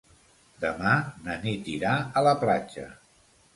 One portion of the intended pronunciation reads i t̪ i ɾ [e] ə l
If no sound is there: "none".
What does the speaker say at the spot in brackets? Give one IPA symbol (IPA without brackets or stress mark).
a